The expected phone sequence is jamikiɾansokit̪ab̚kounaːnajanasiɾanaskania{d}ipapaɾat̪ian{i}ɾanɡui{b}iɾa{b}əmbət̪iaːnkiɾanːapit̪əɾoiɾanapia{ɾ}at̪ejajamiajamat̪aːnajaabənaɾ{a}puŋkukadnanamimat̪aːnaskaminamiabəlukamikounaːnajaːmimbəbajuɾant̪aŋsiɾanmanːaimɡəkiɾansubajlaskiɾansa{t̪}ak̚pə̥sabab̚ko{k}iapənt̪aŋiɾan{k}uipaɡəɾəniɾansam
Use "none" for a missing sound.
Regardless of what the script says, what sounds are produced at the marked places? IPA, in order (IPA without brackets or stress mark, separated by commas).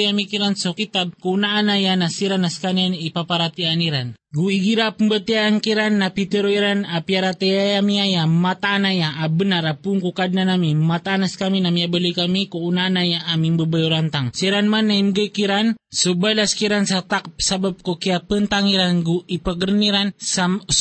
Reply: n, i, ɡ, p, ɾ, a, t̪, k, ɡ